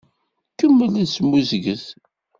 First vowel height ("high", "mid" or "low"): mid